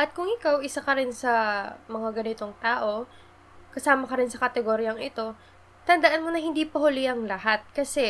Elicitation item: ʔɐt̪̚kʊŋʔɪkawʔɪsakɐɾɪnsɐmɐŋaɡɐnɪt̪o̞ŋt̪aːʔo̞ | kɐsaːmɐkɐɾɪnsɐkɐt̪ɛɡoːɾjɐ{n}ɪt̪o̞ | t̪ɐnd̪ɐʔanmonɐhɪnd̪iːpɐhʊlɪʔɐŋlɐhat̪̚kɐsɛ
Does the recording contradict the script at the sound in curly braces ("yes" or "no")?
yes